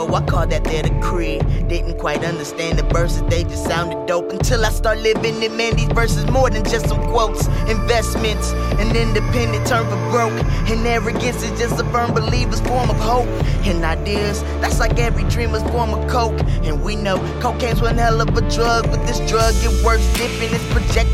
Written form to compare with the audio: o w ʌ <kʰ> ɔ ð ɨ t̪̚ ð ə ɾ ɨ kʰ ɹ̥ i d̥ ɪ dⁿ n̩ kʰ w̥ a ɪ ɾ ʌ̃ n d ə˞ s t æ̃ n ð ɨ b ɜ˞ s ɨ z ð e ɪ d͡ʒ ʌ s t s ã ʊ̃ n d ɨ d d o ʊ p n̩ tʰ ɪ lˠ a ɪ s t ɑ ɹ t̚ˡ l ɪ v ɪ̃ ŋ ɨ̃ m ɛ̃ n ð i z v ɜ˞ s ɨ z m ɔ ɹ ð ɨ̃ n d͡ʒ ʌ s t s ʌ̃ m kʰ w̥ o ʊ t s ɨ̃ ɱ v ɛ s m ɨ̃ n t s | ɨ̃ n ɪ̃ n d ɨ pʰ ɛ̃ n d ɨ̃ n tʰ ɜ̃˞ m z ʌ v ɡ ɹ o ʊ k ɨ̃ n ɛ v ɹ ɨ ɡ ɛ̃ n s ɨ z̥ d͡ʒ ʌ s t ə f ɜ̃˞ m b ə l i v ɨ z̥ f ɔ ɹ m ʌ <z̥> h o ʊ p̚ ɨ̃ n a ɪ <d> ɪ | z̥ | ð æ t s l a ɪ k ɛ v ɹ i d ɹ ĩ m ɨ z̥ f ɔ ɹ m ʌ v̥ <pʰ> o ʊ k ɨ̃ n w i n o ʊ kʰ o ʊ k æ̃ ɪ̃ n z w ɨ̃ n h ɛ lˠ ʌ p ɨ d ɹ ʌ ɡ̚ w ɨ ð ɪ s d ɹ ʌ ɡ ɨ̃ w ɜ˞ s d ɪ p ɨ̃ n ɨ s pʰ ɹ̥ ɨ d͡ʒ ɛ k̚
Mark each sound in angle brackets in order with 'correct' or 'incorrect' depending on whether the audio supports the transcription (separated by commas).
correct, incorrect, correct, incorrect